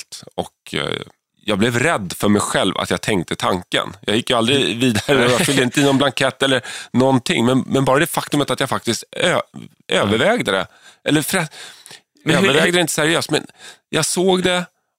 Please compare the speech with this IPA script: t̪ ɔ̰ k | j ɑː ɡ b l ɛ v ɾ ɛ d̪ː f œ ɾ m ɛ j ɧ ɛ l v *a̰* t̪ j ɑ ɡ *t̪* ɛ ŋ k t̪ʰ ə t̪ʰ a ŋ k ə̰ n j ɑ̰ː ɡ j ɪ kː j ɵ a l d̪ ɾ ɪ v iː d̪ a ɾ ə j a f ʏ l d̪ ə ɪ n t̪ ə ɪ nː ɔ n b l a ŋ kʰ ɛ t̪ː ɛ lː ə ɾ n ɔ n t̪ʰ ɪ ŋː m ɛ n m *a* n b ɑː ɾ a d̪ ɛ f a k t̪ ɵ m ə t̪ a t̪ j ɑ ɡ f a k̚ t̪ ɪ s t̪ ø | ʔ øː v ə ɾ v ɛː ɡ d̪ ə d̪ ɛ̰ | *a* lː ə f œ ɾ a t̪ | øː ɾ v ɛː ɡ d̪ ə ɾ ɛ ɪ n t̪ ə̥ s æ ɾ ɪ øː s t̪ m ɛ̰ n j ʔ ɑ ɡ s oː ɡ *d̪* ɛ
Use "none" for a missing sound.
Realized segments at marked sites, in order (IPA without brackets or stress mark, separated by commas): a̰, t̪ʰ, ɛ, ɛ, d̪